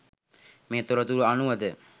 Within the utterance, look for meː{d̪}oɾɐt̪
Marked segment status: incorrect: t̪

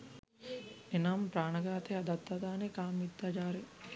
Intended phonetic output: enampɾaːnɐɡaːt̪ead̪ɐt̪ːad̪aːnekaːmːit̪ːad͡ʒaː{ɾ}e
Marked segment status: correct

